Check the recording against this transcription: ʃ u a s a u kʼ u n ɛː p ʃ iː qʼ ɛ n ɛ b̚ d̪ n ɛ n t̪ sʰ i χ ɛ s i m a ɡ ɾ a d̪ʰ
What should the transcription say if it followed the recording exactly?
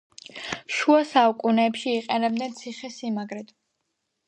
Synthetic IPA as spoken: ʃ u a s a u kʼ u n ɛː p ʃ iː qʼ ɛ n ɛ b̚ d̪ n ɛ n t̪ sʰ i χ ɛ s i m a ɡ ɾ ɛ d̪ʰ